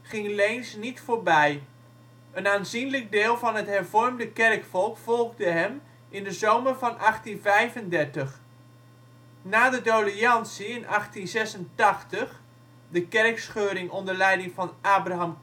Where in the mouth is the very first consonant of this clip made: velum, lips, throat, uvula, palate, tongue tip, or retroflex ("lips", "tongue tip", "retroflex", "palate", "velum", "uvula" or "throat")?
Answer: uvula